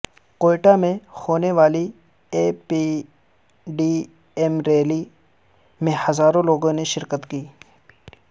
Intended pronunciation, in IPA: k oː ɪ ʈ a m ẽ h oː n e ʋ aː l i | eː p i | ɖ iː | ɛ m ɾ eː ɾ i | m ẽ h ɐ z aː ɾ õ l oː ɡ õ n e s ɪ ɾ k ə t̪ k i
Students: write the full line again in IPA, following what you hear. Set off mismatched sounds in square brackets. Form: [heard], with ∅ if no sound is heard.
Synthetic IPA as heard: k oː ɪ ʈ a m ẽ h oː n e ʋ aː l i | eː p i | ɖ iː | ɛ m ɾ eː [l] i | m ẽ h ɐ z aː ɾ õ l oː ɡ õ n e [ʃ] ɪ ɾ k ə t̪ k [iː]